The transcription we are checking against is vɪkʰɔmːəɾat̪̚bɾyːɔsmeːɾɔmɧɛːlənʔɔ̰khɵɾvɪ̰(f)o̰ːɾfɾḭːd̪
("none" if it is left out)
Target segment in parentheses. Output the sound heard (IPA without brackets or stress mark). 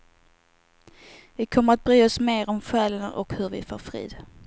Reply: f